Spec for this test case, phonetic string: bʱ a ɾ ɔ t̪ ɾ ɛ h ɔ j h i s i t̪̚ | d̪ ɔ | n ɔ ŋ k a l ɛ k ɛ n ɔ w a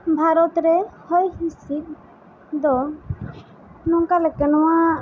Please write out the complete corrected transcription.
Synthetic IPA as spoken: bʱ a ɾ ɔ t̪ ɾ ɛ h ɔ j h i s i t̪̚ | d̪ ɔ | n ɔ ŋ k a l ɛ k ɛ n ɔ w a